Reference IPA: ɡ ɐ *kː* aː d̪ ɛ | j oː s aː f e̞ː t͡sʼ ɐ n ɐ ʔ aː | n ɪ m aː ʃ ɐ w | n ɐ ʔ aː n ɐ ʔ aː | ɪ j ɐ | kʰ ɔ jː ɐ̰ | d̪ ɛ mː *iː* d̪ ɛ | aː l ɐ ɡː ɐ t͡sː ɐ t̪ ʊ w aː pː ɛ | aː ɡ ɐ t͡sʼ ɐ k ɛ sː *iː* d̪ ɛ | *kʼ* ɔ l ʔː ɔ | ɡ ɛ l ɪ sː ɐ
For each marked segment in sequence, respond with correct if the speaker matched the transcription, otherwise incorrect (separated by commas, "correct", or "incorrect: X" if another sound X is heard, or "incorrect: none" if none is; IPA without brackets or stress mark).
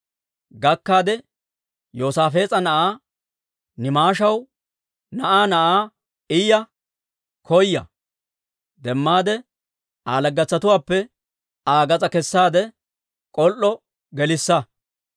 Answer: correct, incorrect: aː, incorrect: aː, correct